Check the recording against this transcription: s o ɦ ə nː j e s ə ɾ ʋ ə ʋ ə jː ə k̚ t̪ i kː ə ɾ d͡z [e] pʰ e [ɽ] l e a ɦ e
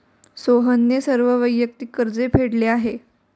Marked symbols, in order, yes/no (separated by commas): yes, yes